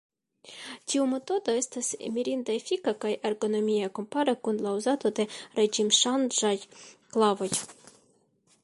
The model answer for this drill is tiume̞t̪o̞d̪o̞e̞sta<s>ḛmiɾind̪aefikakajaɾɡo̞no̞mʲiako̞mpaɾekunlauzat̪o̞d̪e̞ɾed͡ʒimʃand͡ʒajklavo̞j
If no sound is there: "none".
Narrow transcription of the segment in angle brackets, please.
s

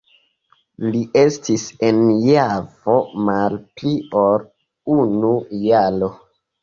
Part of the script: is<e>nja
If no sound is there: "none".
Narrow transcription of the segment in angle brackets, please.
e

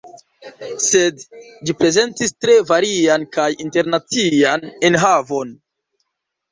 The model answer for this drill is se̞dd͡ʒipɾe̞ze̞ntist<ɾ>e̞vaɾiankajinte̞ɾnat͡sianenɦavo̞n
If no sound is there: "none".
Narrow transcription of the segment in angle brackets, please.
ɾ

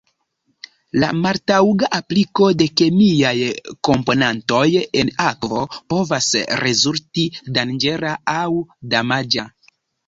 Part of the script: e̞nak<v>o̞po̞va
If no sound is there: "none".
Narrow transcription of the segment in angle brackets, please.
v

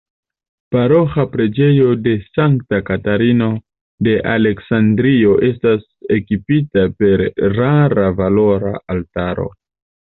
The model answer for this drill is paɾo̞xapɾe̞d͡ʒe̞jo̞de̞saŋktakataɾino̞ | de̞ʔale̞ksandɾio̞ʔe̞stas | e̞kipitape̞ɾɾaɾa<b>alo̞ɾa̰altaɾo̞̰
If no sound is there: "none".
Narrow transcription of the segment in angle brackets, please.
v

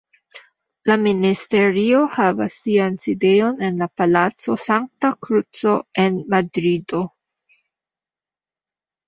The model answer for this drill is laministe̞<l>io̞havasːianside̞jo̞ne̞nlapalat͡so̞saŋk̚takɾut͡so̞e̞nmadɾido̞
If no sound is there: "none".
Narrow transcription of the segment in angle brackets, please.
ɾ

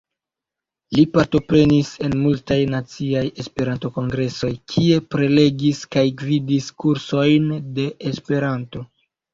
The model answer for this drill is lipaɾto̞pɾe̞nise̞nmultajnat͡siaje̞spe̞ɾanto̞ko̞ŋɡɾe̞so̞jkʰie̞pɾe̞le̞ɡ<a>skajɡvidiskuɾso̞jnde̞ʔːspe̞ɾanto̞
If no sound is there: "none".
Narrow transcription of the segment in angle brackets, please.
i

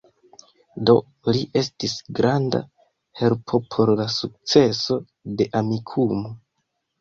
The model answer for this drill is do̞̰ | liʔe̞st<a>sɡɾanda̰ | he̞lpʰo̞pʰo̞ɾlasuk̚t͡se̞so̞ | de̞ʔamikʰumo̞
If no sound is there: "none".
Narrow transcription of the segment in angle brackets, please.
i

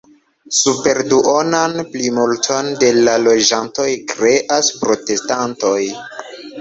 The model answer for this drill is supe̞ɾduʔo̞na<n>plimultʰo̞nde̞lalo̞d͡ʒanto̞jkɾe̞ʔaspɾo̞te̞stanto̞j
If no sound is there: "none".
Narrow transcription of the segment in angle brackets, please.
n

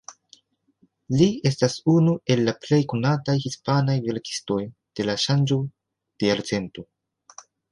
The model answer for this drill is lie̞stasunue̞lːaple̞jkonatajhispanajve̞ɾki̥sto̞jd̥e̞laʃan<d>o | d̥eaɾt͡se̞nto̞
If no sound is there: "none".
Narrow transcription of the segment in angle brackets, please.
d͡ʒ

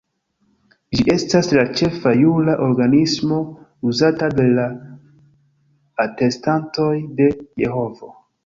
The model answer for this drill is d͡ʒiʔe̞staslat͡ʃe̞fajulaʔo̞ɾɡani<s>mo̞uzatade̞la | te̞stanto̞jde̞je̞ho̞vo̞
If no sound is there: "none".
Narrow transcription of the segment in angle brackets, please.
s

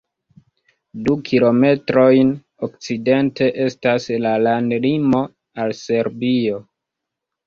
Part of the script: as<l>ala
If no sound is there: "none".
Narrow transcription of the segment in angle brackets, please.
l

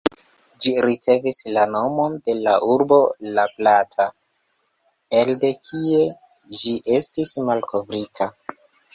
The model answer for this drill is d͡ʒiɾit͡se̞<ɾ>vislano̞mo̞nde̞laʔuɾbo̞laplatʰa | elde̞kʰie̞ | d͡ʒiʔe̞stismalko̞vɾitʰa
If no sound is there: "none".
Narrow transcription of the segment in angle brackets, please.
none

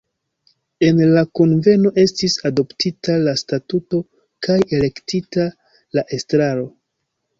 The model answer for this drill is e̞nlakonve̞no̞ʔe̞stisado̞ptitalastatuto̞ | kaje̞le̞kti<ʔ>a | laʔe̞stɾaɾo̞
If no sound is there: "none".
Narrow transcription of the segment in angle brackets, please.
t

